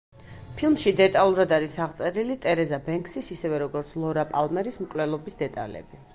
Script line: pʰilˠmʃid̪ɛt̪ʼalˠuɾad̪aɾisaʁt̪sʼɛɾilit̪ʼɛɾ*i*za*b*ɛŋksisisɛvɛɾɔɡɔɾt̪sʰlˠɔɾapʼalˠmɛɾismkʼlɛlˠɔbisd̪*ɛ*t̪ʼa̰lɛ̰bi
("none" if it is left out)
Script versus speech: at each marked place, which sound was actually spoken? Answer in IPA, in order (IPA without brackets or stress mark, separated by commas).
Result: ɛ, b, ɛ